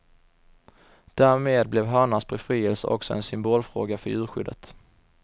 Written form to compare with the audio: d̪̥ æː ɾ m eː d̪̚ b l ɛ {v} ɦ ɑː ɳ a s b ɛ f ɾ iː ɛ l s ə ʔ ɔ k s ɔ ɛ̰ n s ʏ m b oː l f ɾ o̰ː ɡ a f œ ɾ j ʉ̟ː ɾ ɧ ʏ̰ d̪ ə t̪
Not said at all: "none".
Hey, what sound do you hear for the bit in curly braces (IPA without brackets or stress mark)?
v